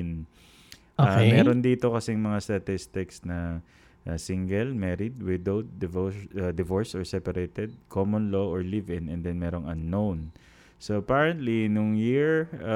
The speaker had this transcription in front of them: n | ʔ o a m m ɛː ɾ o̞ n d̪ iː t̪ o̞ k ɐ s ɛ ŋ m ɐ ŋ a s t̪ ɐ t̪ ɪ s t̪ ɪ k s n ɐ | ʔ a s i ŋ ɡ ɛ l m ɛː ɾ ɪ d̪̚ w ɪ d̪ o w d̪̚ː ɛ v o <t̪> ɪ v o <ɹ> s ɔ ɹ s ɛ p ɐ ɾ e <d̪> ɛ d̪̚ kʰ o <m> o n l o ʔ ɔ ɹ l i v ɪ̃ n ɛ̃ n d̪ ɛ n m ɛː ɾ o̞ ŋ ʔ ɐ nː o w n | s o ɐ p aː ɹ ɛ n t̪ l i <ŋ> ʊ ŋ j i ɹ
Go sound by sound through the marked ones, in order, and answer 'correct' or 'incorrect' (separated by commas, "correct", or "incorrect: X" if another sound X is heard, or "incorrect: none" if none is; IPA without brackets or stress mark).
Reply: incorrect: d̪, correct, incorrect: t̪, correct, incorrect: n